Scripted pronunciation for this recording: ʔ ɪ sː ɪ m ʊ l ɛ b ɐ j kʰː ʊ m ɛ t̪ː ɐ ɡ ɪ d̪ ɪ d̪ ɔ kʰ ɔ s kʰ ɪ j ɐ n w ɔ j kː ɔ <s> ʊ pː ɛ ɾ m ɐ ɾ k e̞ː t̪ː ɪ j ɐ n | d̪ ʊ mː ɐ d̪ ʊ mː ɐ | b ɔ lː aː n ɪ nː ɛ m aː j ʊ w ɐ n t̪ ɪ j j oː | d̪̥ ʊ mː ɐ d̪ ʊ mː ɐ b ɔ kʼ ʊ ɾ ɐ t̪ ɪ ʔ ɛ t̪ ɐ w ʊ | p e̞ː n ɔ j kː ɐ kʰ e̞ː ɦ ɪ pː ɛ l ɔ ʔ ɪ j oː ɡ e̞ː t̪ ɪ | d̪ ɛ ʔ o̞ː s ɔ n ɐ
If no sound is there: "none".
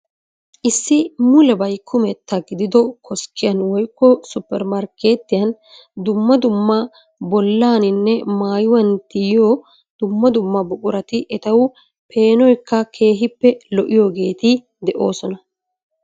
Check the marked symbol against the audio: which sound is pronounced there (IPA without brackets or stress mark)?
s